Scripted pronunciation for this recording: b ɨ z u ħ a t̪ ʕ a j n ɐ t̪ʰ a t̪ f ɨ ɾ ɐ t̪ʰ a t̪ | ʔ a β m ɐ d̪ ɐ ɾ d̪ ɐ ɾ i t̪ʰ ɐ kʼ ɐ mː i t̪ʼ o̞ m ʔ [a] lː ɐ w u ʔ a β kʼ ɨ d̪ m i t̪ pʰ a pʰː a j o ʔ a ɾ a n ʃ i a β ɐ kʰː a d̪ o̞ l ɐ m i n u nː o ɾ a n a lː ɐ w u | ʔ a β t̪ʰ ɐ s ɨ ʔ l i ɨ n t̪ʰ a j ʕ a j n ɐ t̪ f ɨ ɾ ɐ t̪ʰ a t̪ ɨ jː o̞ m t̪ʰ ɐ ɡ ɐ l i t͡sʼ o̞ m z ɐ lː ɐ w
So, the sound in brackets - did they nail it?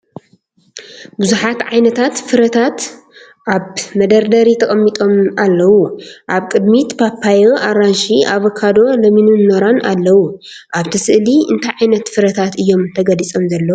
yes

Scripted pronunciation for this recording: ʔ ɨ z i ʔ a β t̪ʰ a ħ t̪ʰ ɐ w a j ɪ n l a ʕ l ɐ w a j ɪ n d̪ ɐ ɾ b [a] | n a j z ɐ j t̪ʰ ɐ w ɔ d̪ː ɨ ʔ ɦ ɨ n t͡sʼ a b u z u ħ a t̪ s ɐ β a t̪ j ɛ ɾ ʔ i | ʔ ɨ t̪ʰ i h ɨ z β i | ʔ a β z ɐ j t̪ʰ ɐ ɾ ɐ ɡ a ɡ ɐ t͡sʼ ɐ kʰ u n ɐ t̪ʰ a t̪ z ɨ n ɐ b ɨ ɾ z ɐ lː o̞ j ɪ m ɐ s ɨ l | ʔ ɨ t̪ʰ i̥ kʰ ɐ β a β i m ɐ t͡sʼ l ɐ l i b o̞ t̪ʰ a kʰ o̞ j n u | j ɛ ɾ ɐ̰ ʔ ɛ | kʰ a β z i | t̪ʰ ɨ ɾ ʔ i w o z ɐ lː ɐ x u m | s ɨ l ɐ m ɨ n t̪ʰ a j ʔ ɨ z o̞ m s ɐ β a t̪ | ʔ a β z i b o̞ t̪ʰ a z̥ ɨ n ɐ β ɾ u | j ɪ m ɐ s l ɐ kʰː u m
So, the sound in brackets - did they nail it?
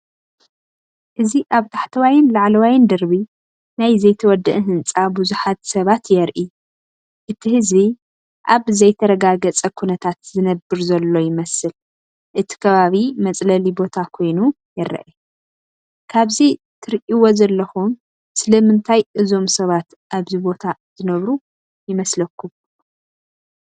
no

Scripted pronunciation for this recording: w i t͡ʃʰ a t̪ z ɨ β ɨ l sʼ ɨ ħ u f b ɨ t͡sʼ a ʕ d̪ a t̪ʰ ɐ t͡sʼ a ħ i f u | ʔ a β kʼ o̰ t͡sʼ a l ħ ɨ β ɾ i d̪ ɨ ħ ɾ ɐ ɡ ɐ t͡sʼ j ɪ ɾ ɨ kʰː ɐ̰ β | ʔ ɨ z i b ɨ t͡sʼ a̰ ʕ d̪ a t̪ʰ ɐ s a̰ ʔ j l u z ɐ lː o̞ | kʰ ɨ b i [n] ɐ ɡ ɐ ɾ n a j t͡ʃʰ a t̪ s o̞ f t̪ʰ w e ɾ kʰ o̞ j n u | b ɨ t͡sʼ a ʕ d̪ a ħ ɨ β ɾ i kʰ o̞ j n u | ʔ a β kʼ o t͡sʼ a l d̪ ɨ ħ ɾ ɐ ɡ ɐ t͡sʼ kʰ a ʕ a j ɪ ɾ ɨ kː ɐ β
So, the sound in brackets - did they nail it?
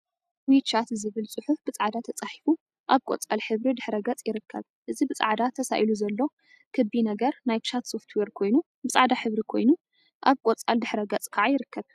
yes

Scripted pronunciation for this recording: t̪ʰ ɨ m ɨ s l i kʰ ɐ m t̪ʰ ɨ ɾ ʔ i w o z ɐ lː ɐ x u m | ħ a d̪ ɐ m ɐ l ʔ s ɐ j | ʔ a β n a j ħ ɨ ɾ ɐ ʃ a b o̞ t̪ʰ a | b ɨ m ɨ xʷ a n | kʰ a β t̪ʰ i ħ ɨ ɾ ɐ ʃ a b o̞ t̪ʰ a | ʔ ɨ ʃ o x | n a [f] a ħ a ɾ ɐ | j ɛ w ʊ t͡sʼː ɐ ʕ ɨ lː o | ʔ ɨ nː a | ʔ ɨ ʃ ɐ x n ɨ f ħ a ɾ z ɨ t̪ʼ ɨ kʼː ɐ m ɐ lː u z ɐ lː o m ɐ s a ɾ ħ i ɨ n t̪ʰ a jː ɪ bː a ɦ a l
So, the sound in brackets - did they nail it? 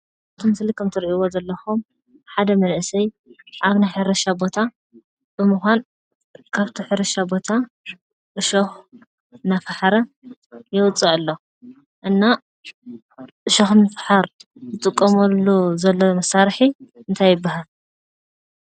yes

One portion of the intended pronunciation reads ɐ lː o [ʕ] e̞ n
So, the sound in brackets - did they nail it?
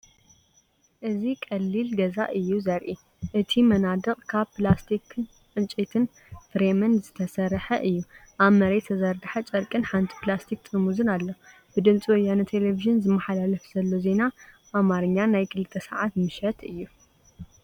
no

